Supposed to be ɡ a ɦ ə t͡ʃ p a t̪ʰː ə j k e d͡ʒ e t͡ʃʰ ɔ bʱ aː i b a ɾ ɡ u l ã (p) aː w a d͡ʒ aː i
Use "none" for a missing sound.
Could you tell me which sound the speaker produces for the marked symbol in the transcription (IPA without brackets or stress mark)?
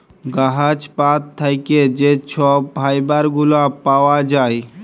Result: p